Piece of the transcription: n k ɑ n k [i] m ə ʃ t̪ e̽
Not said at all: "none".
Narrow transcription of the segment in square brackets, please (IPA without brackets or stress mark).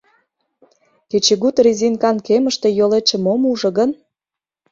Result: e